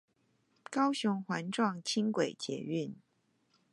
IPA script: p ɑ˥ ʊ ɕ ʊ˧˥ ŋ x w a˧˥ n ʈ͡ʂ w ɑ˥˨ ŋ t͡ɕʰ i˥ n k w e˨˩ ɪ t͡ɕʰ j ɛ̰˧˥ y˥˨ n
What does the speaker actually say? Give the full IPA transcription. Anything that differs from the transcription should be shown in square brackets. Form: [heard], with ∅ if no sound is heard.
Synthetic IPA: [k] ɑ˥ ʊ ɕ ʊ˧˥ ŋ x w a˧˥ n ʈ͡ʂ w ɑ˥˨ ŋ t͡ɕʰ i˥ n k w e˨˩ ɪ [t͡ɕ] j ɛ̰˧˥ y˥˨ n